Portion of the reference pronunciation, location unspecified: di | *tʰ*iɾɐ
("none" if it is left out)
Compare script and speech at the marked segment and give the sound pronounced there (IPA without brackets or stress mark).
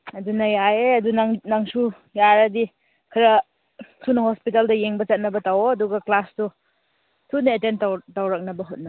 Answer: kʰ